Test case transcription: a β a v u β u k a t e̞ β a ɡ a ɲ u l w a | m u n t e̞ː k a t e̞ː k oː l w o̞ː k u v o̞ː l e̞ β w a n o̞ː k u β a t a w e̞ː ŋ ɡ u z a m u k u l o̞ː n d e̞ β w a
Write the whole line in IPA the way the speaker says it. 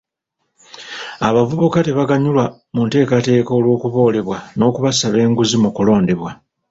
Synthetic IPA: a β a v u β u k a t e̞ β a ɡ a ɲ u l w a | m u n t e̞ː k a t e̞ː k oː l w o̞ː k u β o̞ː l e̞ β w a n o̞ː k u β a s a β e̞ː ŋ ɡ u z i m u k u l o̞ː n d e̞ β w a